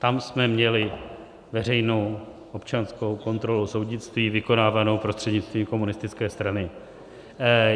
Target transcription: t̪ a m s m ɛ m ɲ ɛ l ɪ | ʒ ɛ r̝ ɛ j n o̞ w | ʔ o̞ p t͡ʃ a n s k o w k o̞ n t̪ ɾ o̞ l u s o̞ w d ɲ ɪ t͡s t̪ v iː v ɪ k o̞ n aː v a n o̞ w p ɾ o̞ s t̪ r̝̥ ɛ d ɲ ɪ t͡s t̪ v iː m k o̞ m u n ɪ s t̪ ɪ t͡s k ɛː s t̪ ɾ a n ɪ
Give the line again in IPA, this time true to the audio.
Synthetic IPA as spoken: t̪ a m s m ɛ m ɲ ɛ l ɪ | v ɛ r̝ ɛ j n o̞ w | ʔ o̞ p t͡ʃ a n s k o w k o̞ n t̪ ɾ o̞ l u s o̞ w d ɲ ɪ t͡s t̪ v iː v ɪ k o̞ n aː v a n o̞ w p ɾ o̞ s t̪ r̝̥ ɛ d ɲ ɪ t͡s t̪ v iː m k o̞ m u n ɪ s t̪ ɪ t͡s k ɛː s t̪ ɾ a n ɪ